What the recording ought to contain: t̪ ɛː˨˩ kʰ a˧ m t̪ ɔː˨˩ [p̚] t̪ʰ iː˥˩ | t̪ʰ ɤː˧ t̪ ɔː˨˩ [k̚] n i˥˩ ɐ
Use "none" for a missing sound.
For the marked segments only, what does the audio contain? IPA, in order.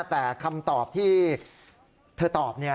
p̚, p̚

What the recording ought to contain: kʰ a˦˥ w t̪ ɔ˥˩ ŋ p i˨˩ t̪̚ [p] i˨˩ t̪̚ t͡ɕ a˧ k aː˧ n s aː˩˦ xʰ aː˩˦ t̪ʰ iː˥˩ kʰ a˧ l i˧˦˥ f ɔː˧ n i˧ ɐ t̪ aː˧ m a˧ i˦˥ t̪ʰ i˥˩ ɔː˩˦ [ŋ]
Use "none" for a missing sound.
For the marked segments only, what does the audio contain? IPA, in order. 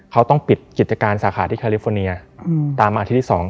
k, ŋ

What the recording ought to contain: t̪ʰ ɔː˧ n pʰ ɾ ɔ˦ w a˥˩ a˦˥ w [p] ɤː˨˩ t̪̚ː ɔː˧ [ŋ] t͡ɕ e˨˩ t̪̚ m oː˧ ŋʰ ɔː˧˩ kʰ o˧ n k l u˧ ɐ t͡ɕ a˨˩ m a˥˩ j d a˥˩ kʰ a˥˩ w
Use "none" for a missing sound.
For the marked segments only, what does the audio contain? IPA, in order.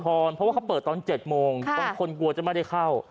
p, n

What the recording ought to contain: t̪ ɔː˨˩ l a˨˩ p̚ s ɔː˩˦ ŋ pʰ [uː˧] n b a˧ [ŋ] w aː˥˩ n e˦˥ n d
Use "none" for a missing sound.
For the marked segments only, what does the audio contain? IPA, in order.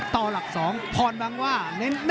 ɔː˧, ŋ

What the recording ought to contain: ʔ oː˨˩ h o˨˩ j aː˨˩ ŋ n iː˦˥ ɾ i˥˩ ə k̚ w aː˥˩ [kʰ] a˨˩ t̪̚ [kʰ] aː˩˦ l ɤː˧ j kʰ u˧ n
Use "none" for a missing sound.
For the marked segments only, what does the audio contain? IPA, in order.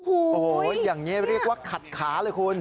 kʰ, kʰ

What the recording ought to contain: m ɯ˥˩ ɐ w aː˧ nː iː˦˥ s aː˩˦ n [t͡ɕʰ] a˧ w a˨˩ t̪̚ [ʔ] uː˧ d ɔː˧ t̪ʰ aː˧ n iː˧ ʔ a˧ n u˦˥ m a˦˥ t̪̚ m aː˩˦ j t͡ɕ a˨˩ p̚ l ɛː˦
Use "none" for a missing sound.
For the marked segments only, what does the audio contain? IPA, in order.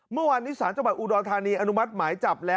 t͡ɕ, ʔ

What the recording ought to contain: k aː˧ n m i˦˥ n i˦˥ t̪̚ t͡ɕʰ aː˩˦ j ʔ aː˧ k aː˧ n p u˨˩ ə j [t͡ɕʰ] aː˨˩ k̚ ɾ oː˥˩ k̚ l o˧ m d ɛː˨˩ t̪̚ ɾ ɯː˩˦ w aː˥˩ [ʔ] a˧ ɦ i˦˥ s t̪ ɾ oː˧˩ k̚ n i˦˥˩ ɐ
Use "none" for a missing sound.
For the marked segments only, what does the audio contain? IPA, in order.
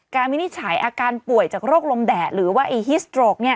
t͡ɕ, ʔ

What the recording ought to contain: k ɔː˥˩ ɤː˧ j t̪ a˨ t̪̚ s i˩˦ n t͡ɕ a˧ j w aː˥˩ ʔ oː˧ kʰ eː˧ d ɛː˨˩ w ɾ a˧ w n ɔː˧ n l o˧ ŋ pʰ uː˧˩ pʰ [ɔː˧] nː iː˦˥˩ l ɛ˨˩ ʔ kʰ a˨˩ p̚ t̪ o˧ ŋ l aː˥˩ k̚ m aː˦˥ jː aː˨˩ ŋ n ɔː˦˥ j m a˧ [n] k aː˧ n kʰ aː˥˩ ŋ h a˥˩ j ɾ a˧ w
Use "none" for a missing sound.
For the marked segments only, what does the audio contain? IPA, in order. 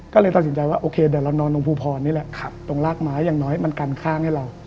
ɔː˧, n

